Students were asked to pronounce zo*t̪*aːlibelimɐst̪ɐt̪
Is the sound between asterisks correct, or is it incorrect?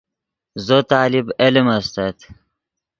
correct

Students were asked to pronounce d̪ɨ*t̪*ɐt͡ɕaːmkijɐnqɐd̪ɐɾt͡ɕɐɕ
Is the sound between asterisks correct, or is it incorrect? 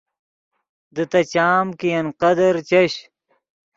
correct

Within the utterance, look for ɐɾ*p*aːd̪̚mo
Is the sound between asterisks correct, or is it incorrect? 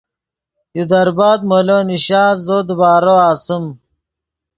incorrect: b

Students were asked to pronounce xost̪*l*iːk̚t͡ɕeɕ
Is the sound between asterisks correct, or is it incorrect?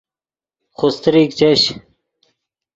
incorrect: ɾ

